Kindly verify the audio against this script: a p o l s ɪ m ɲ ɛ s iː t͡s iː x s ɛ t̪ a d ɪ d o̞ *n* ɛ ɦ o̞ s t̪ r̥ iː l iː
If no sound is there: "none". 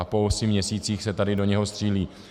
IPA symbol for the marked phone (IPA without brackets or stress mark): ɲ